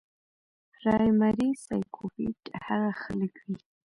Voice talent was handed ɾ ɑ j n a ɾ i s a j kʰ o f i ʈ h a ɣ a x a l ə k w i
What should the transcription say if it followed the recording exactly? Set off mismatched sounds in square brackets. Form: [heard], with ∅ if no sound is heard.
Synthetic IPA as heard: ɾ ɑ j [m] a ɾ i s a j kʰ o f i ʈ h a ɣ a x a l ə k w i

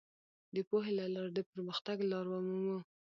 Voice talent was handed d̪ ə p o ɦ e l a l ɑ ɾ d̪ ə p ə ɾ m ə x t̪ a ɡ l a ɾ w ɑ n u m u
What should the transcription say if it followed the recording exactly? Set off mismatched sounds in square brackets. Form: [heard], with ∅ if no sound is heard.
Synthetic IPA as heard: d̪ ə p o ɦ e l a l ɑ ɾ d̪ ə p ə ɾ m ə x t̪ a ɡ l [ɑ] ɾ w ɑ [m] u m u

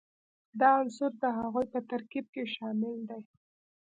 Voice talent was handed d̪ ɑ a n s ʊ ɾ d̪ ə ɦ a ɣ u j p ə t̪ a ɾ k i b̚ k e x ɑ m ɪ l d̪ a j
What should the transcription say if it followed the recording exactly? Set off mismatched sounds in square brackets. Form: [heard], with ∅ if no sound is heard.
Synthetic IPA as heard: d̪ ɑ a n s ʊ ɾ d̪ ə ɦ a ɣ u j p ə t̪ a ɾ k i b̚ k e [ʃ] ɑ m ɪ l d̪ a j

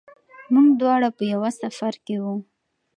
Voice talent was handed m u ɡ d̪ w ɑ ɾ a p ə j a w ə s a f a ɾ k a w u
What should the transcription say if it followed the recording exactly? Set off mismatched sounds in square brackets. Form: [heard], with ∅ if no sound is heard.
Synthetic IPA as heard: m u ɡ d̪ w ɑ [ɽ] a p ə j a w [a] s a f a ɾ k [e] w u

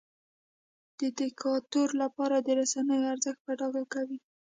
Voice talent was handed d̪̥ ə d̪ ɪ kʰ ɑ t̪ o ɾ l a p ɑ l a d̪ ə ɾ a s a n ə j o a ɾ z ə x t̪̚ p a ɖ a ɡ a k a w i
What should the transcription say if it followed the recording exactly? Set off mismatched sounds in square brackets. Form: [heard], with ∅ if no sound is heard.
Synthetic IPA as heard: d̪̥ ə d̪ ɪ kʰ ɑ t̪ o ɾ l a p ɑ [ɾ] a d̪ ə ɾ a s a n ə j o a ɾ z ə x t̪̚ p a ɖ [ɑ] ɡ a k a w i

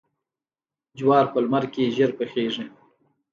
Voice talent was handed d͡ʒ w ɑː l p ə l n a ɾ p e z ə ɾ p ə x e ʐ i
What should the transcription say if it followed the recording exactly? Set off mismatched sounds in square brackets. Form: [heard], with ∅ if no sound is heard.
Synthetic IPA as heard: d͡ʒ w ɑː [ɾ] p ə l [m] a ɾ [k] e [ʒ] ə ɾ p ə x e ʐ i

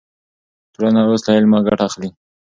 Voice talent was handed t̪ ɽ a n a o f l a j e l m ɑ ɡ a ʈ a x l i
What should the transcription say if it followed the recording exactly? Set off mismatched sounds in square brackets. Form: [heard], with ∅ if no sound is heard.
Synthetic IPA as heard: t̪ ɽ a n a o [s] l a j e l m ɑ ɡ a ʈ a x l i

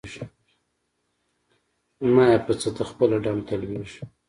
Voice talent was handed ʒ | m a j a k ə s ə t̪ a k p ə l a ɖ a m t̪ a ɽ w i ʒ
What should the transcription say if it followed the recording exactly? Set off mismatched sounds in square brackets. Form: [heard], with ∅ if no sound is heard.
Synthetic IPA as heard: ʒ | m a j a [p] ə [t͡s] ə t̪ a [x] p ə l a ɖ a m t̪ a [l] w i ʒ

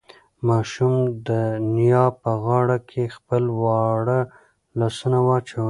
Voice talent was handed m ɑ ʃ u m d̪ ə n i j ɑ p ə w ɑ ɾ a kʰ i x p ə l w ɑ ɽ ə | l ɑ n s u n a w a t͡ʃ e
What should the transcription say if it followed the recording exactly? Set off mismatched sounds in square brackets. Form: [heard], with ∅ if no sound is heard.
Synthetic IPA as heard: m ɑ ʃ u m d̪ ə n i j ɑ p ə [ɣ] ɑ [ɽ] a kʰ [e] x p ə l w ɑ ɽ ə | l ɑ [∅] s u n a w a t͡ʃ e

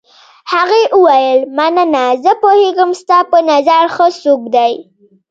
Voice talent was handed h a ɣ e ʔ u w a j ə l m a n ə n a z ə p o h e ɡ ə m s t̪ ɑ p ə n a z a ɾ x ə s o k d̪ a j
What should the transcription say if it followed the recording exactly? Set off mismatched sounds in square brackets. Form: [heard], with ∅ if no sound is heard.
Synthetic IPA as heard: h a ɣ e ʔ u w a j ə l m a n ə n a z ə p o h e ɡ ə m s t̪ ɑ p ə n a z a ɾ x ə s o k d̪ a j

